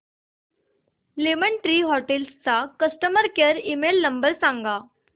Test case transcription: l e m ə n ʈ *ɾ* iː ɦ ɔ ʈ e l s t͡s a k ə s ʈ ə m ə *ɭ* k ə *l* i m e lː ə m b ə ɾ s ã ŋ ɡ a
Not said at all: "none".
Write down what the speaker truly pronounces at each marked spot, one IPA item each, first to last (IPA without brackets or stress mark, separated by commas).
ɾ, ɾ, ɾ